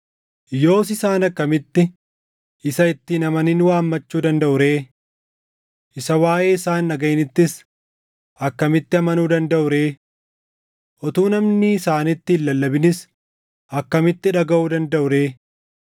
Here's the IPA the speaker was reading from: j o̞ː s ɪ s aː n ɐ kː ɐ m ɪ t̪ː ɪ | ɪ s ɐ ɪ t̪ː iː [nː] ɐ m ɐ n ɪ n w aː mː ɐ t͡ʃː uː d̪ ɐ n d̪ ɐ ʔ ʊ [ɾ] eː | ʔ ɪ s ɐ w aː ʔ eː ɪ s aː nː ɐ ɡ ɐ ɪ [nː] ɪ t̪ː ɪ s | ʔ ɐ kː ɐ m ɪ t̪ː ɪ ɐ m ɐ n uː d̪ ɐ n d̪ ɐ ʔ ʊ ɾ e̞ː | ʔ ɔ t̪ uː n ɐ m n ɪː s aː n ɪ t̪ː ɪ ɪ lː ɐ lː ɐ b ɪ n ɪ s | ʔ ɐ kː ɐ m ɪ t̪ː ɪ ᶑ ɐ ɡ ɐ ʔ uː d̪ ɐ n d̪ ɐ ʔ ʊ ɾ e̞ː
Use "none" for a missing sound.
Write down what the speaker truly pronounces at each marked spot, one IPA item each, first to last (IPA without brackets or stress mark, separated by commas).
n, ɾ, n